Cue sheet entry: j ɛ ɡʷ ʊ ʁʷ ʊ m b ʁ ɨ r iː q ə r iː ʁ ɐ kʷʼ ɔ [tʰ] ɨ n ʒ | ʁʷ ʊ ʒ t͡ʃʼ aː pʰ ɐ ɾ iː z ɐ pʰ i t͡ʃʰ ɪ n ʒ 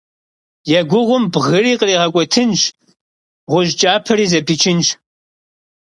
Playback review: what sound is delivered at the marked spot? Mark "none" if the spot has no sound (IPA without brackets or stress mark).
tʰ